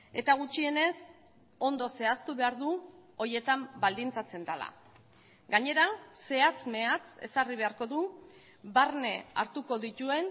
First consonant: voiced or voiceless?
voiceless